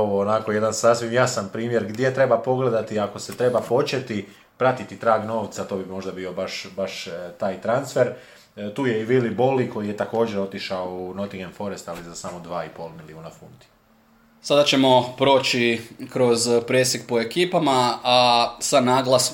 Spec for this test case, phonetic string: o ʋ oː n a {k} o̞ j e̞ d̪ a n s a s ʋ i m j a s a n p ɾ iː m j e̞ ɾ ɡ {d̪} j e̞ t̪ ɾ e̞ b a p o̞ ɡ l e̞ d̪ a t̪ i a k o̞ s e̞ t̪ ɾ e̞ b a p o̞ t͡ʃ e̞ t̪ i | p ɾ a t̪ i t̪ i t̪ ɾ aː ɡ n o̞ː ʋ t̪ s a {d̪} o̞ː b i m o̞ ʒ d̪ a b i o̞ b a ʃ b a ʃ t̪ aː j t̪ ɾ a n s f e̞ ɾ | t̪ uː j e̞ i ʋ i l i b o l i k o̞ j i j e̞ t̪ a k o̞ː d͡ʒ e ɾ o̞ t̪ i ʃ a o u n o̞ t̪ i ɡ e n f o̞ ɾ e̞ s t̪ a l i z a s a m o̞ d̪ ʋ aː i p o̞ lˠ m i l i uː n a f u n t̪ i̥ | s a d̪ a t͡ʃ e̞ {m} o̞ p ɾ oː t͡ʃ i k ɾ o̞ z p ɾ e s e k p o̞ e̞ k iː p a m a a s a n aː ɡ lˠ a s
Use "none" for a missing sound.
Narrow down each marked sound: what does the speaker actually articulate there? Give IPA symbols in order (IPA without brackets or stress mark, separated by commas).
k, d̪, t̪, m